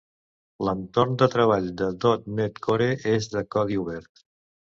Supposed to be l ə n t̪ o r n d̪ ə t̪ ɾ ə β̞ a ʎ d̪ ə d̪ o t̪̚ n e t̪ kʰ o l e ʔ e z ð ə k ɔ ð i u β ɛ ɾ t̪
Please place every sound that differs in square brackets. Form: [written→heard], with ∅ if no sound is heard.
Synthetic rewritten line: l ə n t̪ o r n d̪ ə t̪ ɾ ə β̞ a ʎ d̪ ə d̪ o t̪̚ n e t̪ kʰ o [l→ɾ] e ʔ e z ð ə k ɔ ð i u β ɛ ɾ t̪